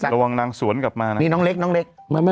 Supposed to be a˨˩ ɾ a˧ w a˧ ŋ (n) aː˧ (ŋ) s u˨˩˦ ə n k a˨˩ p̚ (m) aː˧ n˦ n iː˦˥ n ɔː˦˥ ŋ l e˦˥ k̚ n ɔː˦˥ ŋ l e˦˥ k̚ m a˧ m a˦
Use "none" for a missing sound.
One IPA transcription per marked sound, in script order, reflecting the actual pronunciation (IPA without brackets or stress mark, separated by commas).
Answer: n, ŋ, m